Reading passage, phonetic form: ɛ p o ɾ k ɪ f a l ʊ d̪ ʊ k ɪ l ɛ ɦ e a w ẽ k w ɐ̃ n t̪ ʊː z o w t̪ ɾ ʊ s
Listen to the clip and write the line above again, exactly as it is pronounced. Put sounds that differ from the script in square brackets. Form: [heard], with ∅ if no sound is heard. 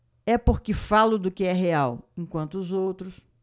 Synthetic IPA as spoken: ɛ p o ɾ k ɪ f a l ʊ d̪ ʊ k ɪ [∅] ɛ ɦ e a w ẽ k w ɐ̃ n t̪ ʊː z o w t̪ ɾ ʊ s